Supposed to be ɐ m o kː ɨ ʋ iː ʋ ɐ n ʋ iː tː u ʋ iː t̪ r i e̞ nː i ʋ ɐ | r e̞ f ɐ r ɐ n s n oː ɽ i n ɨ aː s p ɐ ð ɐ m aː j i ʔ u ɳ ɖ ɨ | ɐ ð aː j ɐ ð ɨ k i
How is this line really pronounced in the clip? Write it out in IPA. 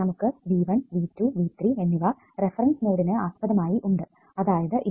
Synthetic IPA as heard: ɐ m u kː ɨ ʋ iː ʋ ɐ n ʋ iː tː u ʋ iː t̪ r i e̞ nː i ʋ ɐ | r e̞ f ɐ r ɐ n s n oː ɽ i n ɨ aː s p ɐ ð ɐ m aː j i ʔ u ɳ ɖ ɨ | ɐ ð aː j ɐ ð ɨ ʔ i

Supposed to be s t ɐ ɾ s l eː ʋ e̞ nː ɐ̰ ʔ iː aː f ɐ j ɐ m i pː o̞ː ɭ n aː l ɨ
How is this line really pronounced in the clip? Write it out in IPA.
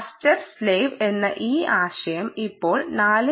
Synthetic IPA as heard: s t ɐ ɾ s l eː ʋ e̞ nː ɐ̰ ʔ iː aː ɕ ɐ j ɐ m i pː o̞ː ɭ n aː l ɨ

